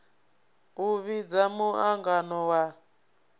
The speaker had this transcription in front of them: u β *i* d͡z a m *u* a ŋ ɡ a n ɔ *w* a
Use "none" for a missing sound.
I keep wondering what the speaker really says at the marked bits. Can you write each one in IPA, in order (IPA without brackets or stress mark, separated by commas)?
i, u, w